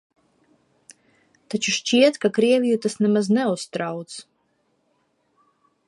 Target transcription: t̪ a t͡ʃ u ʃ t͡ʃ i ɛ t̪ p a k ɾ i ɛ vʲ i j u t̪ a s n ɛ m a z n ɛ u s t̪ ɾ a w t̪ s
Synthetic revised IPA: t̪ a t͡ʃ u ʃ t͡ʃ i ɛ t̪ k a k ɾ i ɛ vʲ i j u t̪ a s n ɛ m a z n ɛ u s t̪ ɾ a w t̪ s